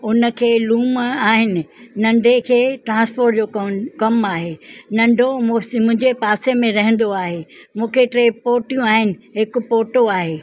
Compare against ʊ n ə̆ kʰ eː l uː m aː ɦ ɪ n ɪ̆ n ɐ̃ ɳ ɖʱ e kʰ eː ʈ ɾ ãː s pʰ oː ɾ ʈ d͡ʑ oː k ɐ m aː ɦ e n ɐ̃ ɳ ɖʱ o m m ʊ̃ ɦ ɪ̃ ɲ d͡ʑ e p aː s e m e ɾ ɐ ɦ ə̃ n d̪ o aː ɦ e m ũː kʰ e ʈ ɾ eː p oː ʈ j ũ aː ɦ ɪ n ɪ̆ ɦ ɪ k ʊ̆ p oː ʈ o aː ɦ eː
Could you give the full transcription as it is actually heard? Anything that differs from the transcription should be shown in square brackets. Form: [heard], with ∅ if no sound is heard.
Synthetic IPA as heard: ʊ n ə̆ kʰ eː l uː m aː ɦ ɪ n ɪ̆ n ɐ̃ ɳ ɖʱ e kʰ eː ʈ ɾ ãː s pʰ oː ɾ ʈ d͡ʑ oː k ɐ m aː ɦ e n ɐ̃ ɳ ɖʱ o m m ʊ̃ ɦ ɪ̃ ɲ d͡ʑ e p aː s e m [ẽ] ɾ ɐ ɦ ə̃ n d̪ o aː ɦ e m ũː kʰ e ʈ ɾ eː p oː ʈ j ũ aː ɦ ɪ n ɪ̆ ɦ ɪ k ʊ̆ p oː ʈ o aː ɦ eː